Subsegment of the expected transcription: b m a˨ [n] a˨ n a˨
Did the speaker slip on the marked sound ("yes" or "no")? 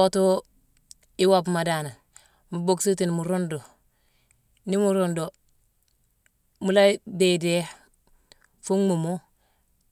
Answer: yes